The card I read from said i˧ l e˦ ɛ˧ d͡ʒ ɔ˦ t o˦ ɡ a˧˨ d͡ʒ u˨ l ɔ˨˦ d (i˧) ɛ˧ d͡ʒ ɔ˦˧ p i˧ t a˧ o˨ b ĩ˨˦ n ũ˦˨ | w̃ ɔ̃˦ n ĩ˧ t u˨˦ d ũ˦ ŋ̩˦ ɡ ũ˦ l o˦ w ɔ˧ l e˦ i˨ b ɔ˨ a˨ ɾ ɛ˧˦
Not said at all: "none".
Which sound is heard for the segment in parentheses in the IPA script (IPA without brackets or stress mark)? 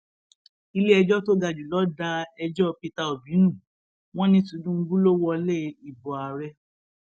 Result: a˧